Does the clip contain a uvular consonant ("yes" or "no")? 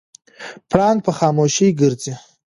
yes